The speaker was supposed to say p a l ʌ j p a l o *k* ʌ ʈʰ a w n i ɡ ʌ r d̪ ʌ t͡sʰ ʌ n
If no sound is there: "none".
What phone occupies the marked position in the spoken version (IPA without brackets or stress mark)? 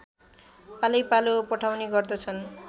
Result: p